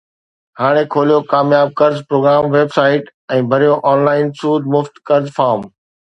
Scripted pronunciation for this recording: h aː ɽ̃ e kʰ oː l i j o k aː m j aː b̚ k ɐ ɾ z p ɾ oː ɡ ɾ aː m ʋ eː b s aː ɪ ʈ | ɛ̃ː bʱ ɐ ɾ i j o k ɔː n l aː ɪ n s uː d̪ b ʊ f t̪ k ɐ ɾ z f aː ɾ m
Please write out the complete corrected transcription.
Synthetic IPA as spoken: h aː ɽ̃ e kʰ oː l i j o k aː m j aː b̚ k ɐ ɾ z p ɾ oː ɡ ɾ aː m ʋ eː b s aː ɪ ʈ | ɛ̃ː bʱ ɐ ɾ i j o ʔ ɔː n l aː ɪ n s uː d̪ m ʊ f t̪ k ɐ ɾ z f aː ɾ m